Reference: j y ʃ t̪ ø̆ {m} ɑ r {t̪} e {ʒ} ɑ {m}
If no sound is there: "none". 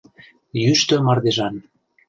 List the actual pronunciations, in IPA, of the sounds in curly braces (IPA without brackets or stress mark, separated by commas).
m, d̪, ʒ, n